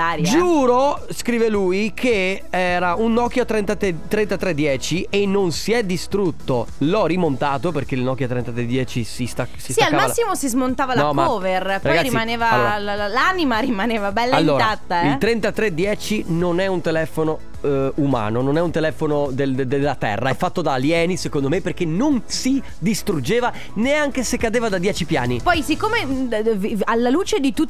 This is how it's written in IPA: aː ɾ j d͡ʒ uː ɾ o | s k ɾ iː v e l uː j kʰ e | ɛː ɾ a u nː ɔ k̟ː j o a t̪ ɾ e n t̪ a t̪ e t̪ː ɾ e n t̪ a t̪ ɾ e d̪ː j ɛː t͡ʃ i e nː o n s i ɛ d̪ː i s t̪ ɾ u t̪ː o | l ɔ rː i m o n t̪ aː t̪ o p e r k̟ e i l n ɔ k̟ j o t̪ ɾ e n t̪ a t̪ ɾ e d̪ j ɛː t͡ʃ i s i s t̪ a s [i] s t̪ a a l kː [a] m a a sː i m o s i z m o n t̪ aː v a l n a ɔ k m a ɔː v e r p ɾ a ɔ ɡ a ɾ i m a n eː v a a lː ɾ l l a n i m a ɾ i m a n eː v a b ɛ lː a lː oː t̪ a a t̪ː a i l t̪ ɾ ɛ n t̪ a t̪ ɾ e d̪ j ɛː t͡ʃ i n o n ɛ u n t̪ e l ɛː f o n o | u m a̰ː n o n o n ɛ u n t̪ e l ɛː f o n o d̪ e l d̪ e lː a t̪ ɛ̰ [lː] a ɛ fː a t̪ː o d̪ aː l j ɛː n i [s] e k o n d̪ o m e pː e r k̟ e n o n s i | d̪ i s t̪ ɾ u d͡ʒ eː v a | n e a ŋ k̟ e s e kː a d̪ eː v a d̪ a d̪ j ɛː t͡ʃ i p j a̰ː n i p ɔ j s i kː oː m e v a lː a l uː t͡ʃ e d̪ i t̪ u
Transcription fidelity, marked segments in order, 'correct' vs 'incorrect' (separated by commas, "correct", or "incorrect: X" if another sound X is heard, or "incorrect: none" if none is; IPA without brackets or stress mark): correct, correct, incorrect: rː, correct